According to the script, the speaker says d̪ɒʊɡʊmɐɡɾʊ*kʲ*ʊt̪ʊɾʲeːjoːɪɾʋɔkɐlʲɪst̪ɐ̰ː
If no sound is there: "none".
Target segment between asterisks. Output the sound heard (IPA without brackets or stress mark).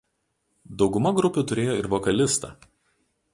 pʲ